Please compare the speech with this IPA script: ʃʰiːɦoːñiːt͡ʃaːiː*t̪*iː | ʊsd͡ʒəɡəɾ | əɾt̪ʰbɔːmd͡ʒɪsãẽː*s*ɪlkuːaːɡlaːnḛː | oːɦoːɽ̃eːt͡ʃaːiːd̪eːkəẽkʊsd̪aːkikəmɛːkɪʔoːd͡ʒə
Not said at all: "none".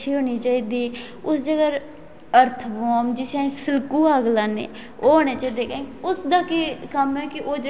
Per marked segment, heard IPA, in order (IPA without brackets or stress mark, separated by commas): d̪, s